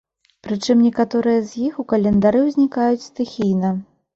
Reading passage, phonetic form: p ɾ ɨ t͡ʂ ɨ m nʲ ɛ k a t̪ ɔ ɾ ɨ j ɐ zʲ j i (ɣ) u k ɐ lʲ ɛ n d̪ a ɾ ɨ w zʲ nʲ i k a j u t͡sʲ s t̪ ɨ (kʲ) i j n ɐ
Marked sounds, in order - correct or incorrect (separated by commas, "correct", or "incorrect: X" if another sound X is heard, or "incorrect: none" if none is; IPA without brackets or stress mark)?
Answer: incorrect: x, incorrect: xʲ